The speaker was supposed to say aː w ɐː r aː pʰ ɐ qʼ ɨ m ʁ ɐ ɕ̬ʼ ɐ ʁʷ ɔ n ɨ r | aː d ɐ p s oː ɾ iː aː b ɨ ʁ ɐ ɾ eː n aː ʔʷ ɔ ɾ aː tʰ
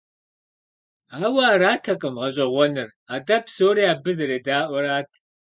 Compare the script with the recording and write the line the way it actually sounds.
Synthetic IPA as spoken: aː w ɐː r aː tʰ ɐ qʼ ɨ m ʁ ɐ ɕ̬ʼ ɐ ʁʷ ɔ n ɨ r | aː d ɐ p s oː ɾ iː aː b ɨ z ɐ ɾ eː d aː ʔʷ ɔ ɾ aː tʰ

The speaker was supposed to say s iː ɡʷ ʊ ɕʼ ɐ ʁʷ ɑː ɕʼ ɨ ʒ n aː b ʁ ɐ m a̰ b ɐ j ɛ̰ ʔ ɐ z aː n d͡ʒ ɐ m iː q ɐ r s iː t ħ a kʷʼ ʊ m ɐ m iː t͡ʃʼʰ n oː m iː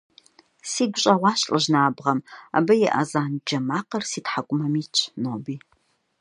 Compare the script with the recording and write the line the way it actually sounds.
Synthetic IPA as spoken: s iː ɡʷ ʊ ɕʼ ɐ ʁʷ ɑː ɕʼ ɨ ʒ n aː b ʁ ɐ m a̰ b ɐ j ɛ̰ ʔ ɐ z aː n d͡ʒ ɐ m aː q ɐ r s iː t ħ a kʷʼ ʊ m ɐ m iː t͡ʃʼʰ n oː b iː

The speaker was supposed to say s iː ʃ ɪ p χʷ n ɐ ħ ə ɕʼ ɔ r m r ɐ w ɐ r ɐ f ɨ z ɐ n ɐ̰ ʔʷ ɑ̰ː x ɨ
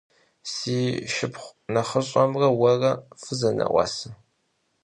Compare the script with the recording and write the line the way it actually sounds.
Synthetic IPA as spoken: s iː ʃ ɪ p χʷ n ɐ χ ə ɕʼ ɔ m r ɐ w ɐ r ɐ f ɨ z ɐ n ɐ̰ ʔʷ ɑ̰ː s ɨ

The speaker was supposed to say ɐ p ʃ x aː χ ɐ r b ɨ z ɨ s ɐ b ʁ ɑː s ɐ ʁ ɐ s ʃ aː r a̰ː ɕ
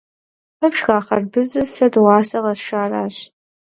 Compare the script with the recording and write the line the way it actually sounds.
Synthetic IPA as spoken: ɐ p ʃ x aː χ ɐ r b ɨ z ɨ s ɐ d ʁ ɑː s ɐ ʁ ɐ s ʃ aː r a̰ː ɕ

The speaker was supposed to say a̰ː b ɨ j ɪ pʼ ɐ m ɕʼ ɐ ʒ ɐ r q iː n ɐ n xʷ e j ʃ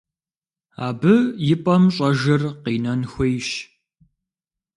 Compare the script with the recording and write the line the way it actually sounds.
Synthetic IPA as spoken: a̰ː b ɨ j ɪ pʼ ɐ m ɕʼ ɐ ʒ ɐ r q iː n ɐ n xʷ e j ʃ

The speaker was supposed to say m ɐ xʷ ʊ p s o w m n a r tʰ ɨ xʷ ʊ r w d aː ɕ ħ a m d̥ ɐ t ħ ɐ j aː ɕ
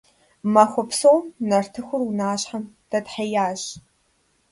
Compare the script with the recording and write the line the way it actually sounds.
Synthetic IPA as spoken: m ɐ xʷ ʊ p s o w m n ɐ r tʰ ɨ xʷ ʊ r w n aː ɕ ħ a m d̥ ɐ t ħ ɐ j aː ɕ

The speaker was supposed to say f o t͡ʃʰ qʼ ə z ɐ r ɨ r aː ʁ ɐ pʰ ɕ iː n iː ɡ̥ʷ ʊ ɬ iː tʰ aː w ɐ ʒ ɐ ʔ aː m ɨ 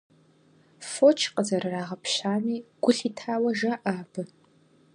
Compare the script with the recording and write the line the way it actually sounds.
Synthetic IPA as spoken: f o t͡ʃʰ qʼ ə z ɐ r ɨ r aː ʁ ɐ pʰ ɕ aː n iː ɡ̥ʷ ʊ ɬ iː tʰ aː w ɐ ʒ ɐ ʔ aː b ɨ

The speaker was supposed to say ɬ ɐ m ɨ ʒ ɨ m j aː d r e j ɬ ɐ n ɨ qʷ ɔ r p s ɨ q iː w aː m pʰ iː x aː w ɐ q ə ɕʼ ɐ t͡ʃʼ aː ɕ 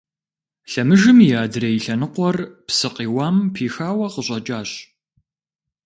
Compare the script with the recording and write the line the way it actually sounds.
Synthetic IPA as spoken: ɬ ɐ m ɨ ʒ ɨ m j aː d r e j ɬ ɐ n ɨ qʷ ɔ r p s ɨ q iː w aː m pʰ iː x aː w ɐ q ə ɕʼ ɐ t͡ʃʼ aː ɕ

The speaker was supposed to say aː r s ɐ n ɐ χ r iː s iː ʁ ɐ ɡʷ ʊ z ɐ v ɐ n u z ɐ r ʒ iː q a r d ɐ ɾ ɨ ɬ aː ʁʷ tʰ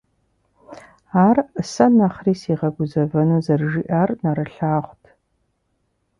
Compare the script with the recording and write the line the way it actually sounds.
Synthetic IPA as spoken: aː r s ɐ n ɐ χ r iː s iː ʁ ɐ ɡʷ ʊ z ɐ v ɐ n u z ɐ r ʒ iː ʔ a r n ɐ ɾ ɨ ɬ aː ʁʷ tʰ

